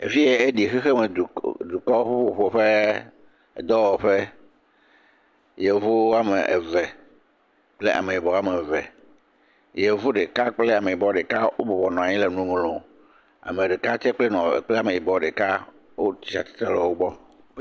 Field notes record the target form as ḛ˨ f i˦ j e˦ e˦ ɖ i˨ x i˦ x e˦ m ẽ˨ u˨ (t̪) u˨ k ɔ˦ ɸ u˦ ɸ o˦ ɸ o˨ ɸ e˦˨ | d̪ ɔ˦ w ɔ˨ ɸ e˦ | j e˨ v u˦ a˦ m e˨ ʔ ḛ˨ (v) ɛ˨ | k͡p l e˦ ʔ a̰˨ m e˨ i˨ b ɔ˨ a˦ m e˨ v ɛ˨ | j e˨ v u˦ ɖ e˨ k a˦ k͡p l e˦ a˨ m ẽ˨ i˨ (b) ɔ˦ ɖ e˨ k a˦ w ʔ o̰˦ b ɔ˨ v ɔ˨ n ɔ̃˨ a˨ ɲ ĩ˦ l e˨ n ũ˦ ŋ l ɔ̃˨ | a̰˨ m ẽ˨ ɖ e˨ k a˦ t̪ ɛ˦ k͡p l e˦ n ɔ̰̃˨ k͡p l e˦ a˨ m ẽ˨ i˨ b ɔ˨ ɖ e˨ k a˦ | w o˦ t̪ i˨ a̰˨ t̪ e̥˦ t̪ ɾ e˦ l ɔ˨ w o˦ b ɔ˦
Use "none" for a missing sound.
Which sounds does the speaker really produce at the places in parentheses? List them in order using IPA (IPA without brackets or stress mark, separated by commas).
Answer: d̪, v, b